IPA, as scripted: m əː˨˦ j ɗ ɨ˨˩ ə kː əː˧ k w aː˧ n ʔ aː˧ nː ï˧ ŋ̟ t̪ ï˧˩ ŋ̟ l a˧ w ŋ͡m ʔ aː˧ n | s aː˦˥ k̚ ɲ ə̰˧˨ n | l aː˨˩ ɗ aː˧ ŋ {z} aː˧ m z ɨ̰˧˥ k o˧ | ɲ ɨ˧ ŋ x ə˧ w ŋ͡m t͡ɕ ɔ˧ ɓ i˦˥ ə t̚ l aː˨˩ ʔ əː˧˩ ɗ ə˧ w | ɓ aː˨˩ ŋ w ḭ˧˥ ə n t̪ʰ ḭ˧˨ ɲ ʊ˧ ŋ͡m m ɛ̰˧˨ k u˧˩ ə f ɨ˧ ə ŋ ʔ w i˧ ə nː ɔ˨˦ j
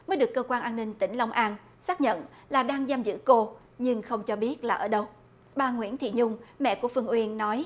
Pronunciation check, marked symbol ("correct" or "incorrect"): correct